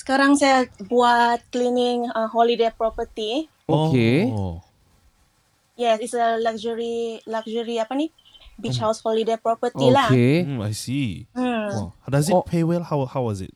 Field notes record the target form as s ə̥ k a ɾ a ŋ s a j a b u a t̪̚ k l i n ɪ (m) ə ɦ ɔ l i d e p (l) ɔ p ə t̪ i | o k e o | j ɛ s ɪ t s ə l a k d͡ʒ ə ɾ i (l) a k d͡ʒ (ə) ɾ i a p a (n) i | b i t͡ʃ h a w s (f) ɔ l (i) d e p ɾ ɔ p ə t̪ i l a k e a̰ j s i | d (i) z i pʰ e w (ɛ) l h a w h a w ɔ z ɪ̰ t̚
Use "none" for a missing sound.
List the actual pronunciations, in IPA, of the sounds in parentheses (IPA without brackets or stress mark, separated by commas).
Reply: ŋ, ɾ, l, ə, n, h, i, a, ɛ